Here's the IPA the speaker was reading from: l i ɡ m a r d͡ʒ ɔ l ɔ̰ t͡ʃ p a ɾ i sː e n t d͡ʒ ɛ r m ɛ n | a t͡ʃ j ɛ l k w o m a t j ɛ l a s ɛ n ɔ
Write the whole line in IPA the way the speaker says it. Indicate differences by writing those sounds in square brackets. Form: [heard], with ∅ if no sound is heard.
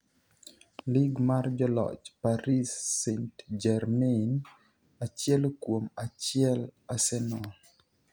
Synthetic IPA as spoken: l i ɡ m a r d͡ʒ ɔ l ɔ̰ t͡ʃ p a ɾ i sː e n t d͡ʒ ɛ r m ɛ n | a t͡ʃ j ɛ l k w o m a [t͡ʃ] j ɛ l a s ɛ n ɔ